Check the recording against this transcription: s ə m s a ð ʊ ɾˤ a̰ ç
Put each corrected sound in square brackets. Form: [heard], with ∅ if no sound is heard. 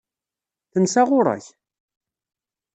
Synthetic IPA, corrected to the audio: [θ] ə [n] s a [ʁ] ʊ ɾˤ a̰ ç